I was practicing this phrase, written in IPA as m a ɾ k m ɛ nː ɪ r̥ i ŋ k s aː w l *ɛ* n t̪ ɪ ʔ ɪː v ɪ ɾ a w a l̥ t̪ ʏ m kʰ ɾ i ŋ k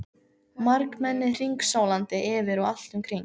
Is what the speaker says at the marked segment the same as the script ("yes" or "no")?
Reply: no